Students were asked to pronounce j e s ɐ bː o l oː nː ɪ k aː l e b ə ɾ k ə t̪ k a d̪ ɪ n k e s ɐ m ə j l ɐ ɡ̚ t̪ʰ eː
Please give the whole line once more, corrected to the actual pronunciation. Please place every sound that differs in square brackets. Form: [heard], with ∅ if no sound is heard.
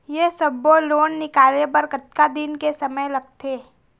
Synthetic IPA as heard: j e s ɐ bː o l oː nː ɪ k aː l e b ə ɾ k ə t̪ k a d̪ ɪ n k e s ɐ m ə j l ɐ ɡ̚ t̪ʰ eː